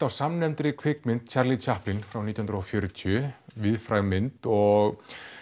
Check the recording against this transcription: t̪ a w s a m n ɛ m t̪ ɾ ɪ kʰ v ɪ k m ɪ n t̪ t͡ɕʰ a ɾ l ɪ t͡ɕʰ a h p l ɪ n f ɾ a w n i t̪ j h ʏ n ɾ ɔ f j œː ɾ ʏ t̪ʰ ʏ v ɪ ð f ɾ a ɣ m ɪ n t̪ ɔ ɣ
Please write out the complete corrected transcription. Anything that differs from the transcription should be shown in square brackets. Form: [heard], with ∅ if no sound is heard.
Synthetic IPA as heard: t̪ a w s a m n ɛ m t̪ ɾ ɪ kʰ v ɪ k m ɪ n t̪ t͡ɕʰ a ɾ l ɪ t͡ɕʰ a h p l ɪ n f ɾ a w n i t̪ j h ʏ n ɾ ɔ f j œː ɾ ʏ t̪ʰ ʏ v ɪ ð f ɾ a ɣ m ɪ n t̪ ɔ ɣ